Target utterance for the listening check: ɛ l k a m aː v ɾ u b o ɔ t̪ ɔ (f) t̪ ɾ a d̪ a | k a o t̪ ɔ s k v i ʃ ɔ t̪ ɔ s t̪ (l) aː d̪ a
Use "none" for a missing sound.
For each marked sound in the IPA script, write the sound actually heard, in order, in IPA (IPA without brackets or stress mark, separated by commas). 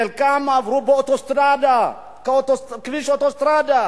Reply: s, ɾ